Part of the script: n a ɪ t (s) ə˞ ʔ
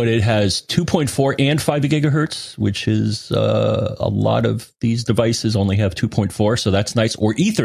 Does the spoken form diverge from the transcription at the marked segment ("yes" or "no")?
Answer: no